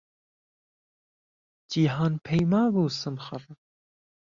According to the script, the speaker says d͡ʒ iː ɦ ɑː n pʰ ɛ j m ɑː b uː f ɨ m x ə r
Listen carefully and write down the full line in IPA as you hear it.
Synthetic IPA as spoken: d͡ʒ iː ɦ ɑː n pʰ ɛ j m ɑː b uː s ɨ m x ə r